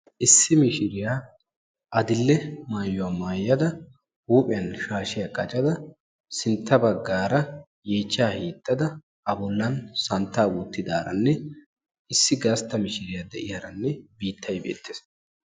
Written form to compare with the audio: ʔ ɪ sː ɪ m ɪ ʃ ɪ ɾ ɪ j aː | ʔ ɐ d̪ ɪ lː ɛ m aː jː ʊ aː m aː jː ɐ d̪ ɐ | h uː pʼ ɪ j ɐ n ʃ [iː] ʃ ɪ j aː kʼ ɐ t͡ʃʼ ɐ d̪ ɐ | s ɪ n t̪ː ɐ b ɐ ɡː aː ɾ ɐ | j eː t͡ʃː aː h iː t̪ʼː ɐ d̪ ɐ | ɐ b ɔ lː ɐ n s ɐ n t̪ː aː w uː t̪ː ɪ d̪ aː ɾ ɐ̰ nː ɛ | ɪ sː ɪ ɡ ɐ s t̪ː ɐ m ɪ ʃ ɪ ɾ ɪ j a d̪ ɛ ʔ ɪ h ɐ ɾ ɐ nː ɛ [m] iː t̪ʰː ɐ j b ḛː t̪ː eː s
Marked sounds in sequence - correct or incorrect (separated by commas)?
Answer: incorrect, incorrect